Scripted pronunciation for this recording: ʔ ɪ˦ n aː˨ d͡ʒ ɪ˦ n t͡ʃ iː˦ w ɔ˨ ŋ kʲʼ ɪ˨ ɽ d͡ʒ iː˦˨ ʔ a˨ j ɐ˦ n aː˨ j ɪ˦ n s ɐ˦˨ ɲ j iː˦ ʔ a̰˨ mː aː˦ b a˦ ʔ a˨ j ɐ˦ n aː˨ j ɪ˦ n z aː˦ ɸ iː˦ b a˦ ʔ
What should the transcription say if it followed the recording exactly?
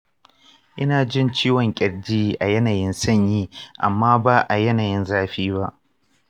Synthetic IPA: ʔ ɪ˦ n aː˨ d͡ʒ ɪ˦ n t͡ʃ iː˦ w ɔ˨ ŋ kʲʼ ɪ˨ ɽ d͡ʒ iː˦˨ ʔ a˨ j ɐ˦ n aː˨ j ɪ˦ n s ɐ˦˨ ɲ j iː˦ ʔ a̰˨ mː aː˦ b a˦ ʔ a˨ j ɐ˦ n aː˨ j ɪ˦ n z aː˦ ɸ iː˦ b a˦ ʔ